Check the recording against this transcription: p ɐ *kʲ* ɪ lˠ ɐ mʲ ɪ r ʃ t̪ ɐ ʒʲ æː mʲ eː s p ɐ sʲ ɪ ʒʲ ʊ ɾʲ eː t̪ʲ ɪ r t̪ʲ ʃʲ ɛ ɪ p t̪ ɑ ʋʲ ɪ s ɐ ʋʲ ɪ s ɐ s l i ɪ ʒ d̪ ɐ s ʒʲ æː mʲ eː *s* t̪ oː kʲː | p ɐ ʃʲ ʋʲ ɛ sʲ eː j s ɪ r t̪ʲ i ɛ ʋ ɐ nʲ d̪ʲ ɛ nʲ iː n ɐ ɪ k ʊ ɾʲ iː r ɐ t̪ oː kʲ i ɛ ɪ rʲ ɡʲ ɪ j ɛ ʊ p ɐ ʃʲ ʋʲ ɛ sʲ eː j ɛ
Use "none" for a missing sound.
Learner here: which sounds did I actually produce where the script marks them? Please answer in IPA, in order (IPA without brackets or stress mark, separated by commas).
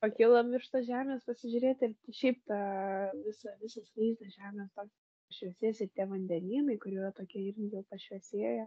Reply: kʲ, s